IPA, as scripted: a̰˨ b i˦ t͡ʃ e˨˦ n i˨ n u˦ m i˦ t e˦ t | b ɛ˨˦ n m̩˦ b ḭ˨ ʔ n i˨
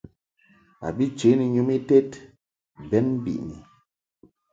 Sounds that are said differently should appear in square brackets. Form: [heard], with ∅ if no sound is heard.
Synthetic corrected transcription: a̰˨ b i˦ t͡ʃ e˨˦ n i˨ [ɲ] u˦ m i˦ t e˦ t | b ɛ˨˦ n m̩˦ b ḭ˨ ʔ n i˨